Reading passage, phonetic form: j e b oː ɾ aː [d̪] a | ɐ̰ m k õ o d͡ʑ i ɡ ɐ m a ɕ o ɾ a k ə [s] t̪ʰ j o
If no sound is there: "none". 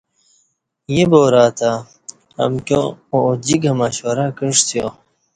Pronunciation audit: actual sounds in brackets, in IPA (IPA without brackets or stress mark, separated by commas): t̪, ʂ